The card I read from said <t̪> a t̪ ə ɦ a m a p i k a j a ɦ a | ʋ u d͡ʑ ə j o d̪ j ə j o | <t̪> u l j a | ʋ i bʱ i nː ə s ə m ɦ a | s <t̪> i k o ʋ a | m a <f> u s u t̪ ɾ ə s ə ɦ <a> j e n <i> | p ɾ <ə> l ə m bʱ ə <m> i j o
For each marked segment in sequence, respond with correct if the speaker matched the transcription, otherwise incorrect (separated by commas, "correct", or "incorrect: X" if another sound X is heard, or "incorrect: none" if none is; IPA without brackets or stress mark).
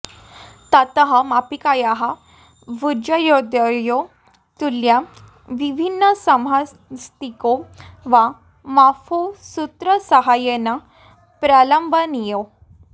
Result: correct, correct, correct, correct, correct, incorrect: a, incorrect: a, incorrect: n